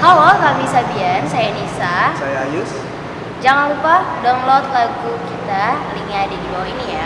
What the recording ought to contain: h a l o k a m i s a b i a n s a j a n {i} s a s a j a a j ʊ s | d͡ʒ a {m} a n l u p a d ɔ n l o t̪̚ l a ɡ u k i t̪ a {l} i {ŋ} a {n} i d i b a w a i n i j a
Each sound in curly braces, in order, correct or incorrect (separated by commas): correct, incorrect, correct, correct, incorrect